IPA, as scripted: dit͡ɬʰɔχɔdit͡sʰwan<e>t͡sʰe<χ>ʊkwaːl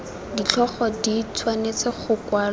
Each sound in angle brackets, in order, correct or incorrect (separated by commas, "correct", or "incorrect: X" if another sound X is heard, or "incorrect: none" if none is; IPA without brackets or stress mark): correct, correct